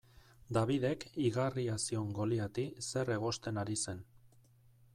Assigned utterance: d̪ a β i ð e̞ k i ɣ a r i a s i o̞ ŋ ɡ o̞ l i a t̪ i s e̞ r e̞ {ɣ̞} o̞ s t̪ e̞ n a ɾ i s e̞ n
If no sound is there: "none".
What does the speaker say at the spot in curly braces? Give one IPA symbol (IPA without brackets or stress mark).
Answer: ɣ̞